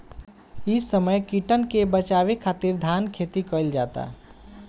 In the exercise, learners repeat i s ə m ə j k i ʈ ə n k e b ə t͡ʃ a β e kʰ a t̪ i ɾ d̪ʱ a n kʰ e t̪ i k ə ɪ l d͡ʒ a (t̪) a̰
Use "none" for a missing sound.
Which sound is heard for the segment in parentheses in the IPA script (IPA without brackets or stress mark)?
t̪